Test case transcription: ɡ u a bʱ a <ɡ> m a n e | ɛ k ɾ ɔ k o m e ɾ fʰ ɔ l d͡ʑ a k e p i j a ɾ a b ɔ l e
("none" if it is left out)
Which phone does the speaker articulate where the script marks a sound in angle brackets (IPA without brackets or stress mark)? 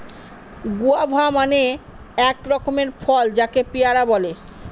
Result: none